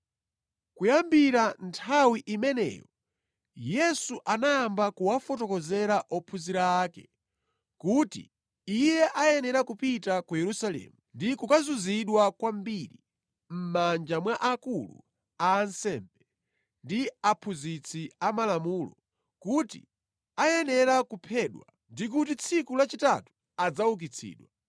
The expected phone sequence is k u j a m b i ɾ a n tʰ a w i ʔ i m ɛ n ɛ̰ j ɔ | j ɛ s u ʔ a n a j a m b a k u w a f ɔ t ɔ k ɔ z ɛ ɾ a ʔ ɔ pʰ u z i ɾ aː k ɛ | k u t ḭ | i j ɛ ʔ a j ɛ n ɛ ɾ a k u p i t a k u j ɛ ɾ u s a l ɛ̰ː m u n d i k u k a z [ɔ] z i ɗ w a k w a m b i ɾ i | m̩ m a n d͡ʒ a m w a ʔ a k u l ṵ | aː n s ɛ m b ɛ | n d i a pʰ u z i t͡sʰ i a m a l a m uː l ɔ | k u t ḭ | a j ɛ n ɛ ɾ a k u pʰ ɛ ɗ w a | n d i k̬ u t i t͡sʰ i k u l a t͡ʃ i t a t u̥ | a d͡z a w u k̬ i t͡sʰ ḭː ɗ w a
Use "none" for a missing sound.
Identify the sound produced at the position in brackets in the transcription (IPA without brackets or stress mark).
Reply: u